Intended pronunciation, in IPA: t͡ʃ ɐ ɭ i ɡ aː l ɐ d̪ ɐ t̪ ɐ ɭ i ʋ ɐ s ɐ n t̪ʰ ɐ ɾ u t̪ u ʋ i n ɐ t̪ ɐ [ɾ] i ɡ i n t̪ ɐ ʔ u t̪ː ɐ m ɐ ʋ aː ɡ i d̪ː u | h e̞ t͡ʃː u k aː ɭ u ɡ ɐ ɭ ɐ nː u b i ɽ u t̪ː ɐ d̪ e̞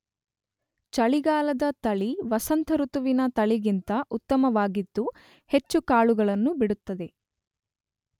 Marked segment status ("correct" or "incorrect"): incorrect